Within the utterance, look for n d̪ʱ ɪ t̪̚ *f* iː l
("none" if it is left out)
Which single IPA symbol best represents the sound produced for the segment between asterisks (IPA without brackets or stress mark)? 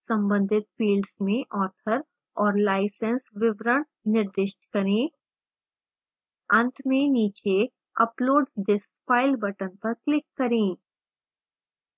f